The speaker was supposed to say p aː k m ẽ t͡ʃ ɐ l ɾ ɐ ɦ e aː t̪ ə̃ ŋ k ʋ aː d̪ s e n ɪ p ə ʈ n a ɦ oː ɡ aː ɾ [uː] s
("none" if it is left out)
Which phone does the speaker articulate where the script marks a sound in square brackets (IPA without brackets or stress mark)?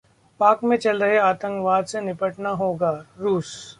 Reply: uː